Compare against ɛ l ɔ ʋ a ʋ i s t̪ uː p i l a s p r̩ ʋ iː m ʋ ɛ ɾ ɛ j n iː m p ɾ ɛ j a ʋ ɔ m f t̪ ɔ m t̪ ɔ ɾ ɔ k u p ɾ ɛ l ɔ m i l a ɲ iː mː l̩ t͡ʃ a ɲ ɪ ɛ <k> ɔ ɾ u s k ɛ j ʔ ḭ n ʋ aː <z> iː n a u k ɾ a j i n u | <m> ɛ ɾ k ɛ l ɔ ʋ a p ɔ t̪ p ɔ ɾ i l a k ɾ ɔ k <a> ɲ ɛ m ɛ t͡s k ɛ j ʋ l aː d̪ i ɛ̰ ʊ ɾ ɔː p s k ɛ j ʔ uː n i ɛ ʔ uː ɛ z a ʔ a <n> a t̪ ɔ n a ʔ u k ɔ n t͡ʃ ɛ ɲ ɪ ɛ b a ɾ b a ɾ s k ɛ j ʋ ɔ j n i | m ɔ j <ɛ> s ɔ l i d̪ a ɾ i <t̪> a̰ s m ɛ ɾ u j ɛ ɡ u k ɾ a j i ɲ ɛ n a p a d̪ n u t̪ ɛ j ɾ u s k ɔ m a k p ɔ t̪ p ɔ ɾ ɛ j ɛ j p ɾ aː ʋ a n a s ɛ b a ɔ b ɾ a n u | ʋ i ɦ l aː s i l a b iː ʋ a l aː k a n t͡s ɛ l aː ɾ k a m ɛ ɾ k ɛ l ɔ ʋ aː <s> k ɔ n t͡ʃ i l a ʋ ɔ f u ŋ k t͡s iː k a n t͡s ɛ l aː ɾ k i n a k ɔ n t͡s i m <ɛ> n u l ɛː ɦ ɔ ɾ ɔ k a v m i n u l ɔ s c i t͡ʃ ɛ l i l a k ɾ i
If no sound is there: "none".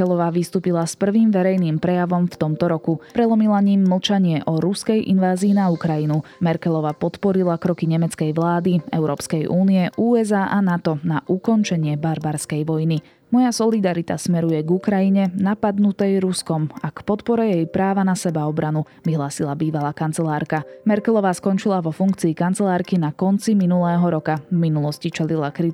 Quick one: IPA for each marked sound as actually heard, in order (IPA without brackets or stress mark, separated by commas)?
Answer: ʔ, z, m, i, n, a, t̪, s, i